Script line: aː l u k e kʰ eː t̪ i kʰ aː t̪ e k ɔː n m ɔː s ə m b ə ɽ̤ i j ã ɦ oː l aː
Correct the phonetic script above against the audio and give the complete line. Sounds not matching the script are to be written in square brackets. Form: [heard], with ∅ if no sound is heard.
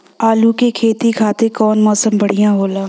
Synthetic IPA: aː l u k e kʰ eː t̪ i kʰ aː t̪ e k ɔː n m ɔː s ə m b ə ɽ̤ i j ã ɦ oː l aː